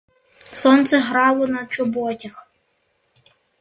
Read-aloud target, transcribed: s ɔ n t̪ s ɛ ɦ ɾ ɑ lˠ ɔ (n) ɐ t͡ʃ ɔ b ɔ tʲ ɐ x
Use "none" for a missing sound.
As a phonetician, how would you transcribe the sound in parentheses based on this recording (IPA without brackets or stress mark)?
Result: n